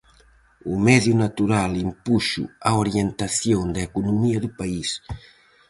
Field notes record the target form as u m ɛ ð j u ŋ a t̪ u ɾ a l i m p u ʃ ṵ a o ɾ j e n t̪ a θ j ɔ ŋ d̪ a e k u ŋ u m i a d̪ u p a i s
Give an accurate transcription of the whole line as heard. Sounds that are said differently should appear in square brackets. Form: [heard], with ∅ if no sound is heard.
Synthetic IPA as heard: u m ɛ ð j u [n] a t̪ u ɾ a l i m p u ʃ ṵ a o ɾ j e n t̪ a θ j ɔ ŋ d̪ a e k u [n] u m i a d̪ u p a i s